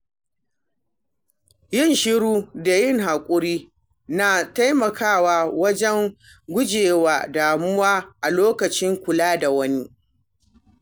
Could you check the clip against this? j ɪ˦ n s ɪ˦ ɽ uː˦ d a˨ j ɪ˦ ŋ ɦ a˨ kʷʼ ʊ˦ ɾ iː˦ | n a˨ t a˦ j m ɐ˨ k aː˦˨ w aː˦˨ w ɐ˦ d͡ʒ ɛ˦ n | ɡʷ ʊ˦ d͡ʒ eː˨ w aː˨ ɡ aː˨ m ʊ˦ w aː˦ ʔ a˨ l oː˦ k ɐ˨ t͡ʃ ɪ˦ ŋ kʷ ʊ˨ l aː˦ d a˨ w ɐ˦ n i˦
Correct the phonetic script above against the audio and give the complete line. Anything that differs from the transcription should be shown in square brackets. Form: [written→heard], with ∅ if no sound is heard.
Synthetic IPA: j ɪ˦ n [s→ʃ] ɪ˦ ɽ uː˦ d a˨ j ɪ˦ ŋ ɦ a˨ kʷʼ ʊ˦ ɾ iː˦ | n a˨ t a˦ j m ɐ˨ k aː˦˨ w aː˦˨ w ɐ˦ d͡ʒ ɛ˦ [n→ŋ] | ɡʷ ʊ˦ d͡ʒ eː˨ w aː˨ [ɡ→d] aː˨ m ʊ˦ w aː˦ ʔ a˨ l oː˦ k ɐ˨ t͡ʃ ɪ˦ ŋ kʷ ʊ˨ l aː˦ d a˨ w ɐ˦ n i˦